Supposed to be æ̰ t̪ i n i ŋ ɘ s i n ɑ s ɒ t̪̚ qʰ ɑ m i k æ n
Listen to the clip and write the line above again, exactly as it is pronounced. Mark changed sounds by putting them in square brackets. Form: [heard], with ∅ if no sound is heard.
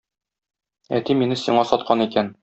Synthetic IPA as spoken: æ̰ t̪ i [m] i [n] ɘ s i [ɴ] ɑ s ɒ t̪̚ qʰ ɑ [n] i k æ n

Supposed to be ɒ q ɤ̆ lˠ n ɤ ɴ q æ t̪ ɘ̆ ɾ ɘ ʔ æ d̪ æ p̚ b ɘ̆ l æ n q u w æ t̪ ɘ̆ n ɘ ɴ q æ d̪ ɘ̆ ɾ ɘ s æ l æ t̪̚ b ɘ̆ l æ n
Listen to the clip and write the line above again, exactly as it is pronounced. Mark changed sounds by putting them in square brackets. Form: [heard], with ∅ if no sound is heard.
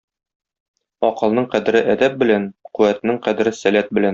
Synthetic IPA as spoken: ɒ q ɤ̆ lˠ n ɤ ɴ q æ [d̪] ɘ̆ ɾ ɘ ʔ æ d̪ æ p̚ b ɘ̆ l æ n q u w æ t̪ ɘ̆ n ɘ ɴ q æ d̪ ɘ̆ ɾ ɘ s æ l æ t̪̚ b ɘ̆ l æ n

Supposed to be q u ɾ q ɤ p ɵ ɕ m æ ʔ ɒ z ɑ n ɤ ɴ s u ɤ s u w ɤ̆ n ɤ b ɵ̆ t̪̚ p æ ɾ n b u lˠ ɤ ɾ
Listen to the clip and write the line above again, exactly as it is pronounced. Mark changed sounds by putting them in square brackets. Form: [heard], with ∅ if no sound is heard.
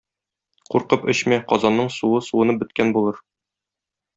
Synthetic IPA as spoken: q u ɾ q ɤ p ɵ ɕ m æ [q] ɒ z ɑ [nː] ɤ ɴ s u ɤ s u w ɤ̆ n ɤ b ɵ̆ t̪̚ [k] æ [∅] n b u lˠ ɤ ɾ

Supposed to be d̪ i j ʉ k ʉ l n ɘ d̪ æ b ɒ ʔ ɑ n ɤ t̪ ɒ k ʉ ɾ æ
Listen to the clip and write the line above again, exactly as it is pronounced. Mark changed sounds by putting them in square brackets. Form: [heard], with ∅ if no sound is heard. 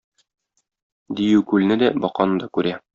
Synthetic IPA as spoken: d̪ i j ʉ k ʉ l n ɘ d̪ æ b ɒ [q] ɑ n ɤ [d̪] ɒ k ʉ ɾ æ

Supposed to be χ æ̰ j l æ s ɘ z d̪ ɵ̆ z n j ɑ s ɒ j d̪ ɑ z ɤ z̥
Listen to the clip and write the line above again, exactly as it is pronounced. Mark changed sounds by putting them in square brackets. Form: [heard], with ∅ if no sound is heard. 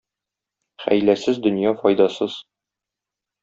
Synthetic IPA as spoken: χ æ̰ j l æ s ɘ z d̪ ɵ̆ [∅] n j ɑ [f] ɒ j d̪ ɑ [s] ɤ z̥

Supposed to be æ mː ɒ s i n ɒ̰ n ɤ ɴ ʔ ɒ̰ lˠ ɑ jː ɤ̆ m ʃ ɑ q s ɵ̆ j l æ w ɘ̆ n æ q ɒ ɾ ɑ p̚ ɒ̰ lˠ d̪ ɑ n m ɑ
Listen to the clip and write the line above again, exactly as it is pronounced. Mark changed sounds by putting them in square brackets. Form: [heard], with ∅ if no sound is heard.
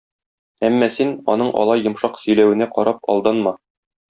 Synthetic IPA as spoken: æ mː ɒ s i n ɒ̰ n ɤ ɴ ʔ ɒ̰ lˠ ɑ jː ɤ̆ m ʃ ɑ q s ɵ̆ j l æ w ɘ̆ n æ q ɒ ɾ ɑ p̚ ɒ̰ lˠ d̪ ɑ n m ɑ

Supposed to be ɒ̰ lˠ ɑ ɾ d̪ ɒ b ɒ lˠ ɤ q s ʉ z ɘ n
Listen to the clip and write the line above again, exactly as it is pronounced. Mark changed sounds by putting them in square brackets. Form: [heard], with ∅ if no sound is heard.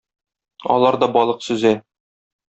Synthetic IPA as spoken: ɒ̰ lˠ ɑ ɾ d̪ ɒ b ɒ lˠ ɤ q s ʉ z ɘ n

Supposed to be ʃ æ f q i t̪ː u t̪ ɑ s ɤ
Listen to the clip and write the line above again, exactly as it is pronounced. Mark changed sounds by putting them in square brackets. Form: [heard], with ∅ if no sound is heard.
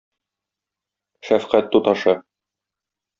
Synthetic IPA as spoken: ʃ æ f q [æ] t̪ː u t̪ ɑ [ʃ] ɤ

